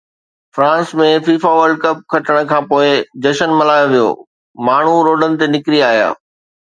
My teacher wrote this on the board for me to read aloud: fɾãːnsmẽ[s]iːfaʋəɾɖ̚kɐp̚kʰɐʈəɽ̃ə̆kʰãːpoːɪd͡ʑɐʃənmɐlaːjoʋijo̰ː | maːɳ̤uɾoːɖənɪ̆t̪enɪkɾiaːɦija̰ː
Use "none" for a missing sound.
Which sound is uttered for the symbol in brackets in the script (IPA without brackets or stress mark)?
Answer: f